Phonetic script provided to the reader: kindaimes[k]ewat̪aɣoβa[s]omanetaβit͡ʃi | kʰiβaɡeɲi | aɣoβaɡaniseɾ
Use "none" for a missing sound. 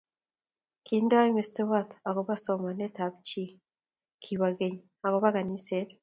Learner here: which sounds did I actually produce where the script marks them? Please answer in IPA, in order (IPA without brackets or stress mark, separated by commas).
t, s